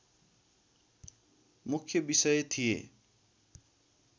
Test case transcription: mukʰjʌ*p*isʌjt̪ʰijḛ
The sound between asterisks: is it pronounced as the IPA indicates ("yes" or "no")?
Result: no